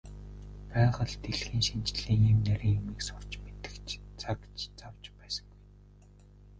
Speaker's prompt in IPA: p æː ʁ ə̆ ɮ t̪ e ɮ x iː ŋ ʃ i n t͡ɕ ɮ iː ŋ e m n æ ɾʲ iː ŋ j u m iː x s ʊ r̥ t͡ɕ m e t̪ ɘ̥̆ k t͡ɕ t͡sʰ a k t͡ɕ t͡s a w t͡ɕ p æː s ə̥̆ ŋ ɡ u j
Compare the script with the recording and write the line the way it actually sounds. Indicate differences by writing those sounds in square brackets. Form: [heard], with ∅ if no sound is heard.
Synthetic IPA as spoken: p æː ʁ ə̆ ɮ t̪ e ɮ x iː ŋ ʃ i n t͡ɕ ɮ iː ŋ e m n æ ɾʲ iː ŋ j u m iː [k] s ʊ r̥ t͡ɕ m e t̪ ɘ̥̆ k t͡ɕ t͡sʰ a k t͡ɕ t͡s a w t͡ɕ p æː s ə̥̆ ŋ ɡ u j

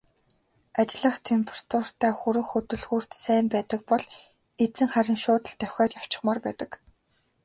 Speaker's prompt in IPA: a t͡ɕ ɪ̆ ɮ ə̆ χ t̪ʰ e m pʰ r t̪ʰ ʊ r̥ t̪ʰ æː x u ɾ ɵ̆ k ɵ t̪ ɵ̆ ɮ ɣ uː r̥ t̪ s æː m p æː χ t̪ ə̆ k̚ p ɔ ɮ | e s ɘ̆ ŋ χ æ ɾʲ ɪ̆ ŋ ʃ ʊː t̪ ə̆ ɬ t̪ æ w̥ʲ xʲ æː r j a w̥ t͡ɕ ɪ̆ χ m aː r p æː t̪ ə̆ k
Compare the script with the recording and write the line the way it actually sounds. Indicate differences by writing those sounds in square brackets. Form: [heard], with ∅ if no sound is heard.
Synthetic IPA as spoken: a t͡ɕ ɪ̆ ɮ ə̆ χ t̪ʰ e m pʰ r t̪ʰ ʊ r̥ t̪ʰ æː x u ɾ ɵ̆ [x] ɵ t̪ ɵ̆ ɮ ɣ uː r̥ t̪ s æː m p æː [∅] t̪ ə̆ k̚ p ɔ ɮ | e [t͡s] ɘ̆ ŋ χ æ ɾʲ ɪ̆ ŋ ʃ ʊː t̪ ə̆ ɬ t̪ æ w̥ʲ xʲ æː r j a w̥ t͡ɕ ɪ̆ χ m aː r p æː t̪ ə̆ k

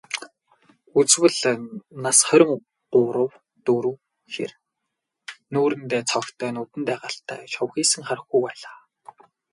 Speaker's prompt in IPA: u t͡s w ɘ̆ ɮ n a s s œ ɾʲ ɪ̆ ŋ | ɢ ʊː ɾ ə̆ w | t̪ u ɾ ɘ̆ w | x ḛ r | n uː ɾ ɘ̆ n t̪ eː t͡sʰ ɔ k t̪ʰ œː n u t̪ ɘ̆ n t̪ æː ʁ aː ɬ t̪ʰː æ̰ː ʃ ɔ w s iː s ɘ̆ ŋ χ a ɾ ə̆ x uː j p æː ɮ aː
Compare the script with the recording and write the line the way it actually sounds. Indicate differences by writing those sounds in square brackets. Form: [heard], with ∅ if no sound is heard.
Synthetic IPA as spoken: u t͡s w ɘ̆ ɮ n a s [χ] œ ɾʲ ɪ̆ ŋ | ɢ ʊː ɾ ə̆ w | t̪ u ɾ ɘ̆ w | x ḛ r | n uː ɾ ɘ̆ n t̪ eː t͡sʰ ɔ k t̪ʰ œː n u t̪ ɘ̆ n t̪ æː ʁ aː ɬ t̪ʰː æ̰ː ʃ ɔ w [x] iː s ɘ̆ ŋ χ a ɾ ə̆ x [u] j p æː ɮ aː

